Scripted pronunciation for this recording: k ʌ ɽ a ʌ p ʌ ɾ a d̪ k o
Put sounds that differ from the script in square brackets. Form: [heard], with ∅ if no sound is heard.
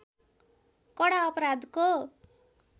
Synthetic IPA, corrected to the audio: k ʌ ɽ a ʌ p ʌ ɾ a d̪ k o